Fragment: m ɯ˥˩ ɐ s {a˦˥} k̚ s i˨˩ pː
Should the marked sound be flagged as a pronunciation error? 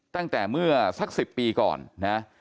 no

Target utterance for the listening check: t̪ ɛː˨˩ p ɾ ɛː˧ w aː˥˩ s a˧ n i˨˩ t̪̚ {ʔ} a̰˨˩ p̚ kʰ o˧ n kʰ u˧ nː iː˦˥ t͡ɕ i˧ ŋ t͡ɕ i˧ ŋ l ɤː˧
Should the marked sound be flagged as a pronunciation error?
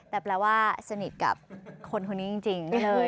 yes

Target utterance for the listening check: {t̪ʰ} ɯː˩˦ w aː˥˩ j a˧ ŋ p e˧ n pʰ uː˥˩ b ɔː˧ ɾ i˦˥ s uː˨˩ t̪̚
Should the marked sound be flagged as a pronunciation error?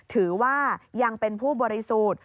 no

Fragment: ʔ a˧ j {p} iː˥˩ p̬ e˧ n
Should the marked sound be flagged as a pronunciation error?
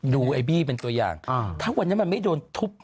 yes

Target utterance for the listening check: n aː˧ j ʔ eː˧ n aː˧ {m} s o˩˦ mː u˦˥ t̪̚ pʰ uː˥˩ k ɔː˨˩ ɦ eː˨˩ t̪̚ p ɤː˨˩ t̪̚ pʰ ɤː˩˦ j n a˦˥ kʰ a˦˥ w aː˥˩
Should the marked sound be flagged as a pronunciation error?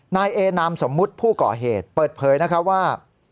no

